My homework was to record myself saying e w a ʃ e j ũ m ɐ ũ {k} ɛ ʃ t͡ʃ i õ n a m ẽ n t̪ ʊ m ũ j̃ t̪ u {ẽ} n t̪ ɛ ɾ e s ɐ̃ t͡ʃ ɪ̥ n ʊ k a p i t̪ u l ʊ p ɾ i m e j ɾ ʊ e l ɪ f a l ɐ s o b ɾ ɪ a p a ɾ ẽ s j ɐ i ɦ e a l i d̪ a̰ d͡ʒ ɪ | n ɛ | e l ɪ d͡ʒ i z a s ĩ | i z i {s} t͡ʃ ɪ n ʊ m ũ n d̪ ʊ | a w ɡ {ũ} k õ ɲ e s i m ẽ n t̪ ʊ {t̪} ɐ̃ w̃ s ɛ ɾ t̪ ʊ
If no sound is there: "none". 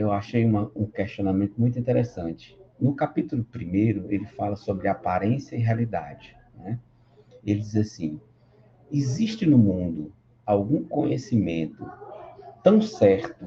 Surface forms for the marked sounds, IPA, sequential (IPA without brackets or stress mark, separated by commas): k, ĩ, ʃ, ũ, t̪